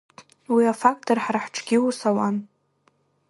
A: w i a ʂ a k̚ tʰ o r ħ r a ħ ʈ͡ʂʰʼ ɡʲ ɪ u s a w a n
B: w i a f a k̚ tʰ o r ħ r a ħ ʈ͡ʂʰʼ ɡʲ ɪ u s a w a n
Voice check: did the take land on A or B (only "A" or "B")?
B